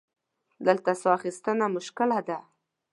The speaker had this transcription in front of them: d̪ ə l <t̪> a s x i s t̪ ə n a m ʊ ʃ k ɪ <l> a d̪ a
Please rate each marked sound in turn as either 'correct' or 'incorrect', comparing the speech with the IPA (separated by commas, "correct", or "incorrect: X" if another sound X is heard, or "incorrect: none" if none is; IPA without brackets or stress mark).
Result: correct, correct